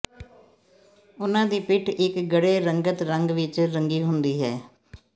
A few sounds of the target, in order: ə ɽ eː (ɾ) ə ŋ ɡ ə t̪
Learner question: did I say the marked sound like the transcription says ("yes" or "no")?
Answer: yes